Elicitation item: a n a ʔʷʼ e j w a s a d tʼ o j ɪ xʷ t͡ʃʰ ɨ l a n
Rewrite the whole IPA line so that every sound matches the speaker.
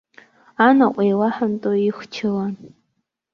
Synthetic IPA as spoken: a n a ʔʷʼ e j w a ħ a n tʼ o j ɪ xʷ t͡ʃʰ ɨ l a n

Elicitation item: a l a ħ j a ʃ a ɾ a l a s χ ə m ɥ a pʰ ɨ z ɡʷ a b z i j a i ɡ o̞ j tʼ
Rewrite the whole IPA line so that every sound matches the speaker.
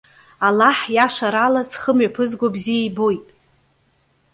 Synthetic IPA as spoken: a l a ħ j a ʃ a ɾ a l a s χ ə m ɥ a pʰ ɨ z ɡʷ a b z i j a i b o̞ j tʼ

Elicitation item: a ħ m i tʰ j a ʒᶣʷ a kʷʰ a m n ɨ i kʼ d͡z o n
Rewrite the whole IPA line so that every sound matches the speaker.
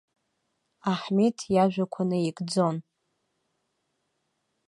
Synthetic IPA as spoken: a ħ m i tʰ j a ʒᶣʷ a kʷʰ a n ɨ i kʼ d͡z o n

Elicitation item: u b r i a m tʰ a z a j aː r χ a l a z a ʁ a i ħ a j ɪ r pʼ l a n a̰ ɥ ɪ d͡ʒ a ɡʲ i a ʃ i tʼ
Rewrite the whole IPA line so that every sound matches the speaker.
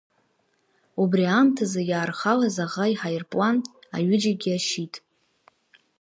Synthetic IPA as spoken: u b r i a m tʰ a z a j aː r χ a l a z a ʁ a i ħ a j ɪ r pʼ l a n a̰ ɥ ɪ d͡ʒ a ɡʲ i a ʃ i tʼ

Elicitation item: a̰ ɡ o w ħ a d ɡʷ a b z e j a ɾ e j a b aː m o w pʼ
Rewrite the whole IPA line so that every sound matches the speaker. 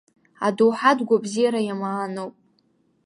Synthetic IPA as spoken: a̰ d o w ħ a d ɡʷ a b z i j a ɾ a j a m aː n o w pʼ

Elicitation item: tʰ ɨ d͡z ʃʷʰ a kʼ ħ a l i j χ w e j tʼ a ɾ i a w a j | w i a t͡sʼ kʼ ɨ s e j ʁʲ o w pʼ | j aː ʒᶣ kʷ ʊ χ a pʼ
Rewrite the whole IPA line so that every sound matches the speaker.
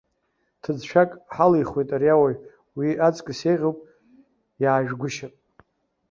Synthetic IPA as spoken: tʰ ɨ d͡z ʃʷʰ a kʼ ħ a l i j χ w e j tʼ a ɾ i a w a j | w i a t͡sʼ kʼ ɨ s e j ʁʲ o w pʼ | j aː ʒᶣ ɡʷ ʊ ʃ a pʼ

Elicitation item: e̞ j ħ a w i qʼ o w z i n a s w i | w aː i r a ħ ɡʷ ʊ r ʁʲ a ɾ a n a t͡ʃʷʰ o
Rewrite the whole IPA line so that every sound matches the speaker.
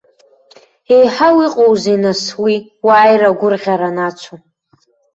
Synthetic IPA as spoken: e̞ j ħ a w i qʼ o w z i n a s w i | w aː j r a ɡʷ ʊ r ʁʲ a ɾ a n a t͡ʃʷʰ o

